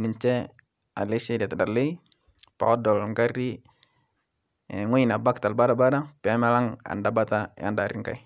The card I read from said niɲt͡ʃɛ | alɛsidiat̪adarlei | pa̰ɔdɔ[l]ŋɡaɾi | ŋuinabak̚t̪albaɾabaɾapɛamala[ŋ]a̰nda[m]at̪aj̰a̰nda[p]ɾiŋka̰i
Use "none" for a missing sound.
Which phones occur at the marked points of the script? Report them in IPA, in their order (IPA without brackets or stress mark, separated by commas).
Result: l, ŋ, b, none